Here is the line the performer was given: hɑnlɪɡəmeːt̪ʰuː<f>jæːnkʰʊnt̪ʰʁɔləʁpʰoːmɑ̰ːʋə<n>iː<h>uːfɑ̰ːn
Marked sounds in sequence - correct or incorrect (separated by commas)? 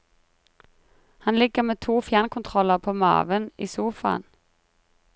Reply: correct, correct, incorrect